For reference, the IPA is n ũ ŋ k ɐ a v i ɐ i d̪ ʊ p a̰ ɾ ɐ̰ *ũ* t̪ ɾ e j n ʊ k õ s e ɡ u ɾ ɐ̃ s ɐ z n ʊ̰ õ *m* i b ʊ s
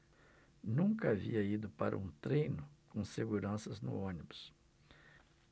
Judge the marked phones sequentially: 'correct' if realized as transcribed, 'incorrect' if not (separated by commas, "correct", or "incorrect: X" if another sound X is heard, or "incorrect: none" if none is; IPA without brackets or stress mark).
correct, incorrect: n